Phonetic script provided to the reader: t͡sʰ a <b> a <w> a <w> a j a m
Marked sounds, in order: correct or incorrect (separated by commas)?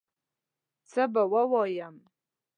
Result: correct, correct, correct